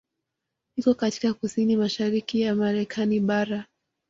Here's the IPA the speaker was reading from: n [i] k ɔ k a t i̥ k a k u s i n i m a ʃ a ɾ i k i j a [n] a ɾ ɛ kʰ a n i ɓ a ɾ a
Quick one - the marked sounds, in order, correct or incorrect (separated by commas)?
correct, incorrect